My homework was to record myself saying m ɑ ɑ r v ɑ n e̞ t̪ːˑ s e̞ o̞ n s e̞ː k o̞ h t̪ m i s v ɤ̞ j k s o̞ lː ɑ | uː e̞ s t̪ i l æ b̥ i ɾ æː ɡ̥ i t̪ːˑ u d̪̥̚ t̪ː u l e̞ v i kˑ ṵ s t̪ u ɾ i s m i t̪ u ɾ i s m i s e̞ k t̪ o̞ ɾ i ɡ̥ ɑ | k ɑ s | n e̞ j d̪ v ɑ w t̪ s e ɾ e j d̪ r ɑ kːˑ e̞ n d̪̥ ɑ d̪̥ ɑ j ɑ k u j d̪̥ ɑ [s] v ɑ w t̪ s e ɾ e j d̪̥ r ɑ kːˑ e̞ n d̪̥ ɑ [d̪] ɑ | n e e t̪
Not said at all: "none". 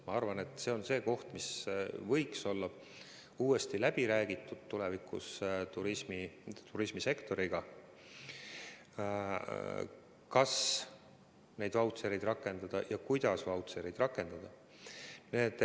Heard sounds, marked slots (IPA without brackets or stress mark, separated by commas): s, d̪